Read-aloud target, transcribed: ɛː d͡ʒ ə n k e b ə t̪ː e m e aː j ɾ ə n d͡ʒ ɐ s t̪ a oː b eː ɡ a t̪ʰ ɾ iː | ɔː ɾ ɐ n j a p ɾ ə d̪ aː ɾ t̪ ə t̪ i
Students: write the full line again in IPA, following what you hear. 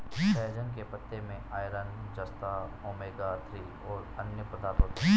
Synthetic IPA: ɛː d͡ʒ ə n k e p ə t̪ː e m ẽ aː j ɾ ə n d͡ʒ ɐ s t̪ a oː m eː ɡ a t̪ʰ ɾ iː | ɔː ɾ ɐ n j ə p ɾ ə d̪ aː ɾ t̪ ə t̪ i